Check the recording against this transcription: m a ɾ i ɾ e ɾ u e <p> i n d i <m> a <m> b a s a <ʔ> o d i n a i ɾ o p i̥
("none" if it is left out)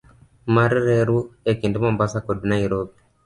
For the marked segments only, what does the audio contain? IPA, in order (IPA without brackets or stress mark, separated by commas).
k, m, m, k